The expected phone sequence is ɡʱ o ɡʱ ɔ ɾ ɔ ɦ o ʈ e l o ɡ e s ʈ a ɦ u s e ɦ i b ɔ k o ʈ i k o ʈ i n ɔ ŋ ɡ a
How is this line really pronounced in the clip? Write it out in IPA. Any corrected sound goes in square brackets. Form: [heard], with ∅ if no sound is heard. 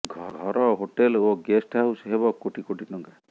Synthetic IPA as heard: ɡʱ [ɔ] ɡʱ ɔ ɾ ɔ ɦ o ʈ e l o ɡ e s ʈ a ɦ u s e ɦ [e] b ɔ k o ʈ i k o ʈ i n ɔ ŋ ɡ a